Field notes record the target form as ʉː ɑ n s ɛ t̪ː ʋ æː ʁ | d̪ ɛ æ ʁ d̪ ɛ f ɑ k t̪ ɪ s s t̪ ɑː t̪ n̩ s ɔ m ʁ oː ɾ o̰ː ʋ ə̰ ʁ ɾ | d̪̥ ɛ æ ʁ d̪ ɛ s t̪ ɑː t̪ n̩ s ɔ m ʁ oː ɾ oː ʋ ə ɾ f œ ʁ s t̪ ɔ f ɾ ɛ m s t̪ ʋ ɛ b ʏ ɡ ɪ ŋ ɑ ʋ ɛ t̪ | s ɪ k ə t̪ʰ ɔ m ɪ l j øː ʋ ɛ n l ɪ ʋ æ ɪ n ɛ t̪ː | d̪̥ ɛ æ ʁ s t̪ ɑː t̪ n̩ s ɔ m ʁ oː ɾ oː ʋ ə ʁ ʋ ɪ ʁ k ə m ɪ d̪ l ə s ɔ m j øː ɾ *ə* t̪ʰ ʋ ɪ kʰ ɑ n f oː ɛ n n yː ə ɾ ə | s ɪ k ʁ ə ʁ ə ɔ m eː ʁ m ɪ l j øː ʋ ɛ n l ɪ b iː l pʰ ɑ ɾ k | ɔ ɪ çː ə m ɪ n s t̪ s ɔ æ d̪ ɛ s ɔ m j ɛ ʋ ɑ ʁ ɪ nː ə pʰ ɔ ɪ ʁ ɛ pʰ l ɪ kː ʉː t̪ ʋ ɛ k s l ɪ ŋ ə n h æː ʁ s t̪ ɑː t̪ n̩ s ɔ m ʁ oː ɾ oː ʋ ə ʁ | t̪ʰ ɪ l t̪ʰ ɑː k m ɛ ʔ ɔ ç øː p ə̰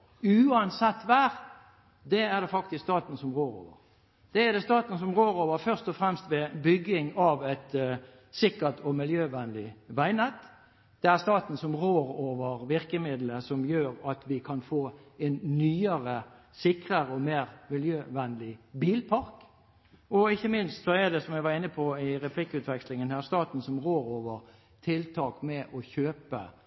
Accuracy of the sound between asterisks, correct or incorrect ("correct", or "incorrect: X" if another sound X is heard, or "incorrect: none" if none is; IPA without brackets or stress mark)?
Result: incorrect: ɑ